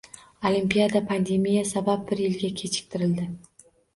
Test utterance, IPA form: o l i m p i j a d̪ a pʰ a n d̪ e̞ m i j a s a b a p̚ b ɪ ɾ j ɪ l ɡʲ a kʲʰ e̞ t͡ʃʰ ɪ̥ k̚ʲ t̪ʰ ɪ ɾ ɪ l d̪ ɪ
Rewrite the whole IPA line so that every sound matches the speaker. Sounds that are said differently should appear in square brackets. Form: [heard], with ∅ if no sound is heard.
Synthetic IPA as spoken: o l i m p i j a d̪ a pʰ a n d̪ e̞ m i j a s a b a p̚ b ɪ ɾ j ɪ l ɡʲ a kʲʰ e̞ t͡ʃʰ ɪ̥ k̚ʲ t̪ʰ ɪ ɾ ɪ l d̪ ɪ